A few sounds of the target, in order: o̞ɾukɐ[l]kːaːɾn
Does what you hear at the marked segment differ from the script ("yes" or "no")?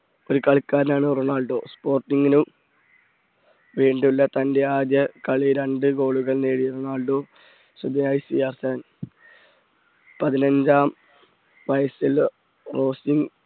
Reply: yes